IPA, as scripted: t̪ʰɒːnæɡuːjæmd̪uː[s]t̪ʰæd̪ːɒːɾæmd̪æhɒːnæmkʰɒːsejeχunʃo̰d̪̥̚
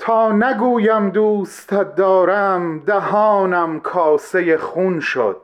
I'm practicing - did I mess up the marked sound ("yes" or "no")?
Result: no